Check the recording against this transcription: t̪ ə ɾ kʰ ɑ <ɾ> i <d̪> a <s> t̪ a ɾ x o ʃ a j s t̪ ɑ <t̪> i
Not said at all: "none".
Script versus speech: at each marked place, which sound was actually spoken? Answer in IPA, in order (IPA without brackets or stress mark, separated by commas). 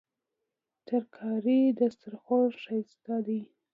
ɾ, d̪, s, d̪